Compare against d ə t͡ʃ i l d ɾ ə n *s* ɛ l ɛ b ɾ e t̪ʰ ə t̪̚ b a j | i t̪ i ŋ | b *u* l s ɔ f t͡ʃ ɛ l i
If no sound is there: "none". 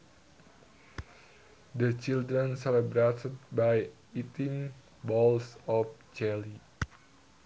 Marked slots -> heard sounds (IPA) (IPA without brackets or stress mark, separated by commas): s, ɔ